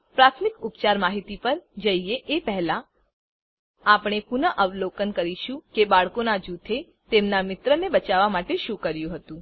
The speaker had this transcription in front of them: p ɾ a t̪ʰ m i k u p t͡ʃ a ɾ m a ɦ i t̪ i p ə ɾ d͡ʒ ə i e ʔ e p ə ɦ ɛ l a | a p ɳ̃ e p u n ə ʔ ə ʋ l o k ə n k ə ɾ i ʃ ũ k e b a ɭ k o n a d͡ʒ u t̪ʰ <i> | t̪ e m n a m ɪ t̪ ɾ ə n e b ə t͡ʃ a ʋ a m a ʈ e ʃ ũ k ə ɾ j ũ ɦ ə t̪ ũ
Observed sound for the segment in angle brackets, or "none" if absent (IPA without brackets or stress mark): e